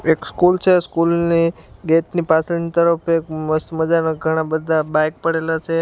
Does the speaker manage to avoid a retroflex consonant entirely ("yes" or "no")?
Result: no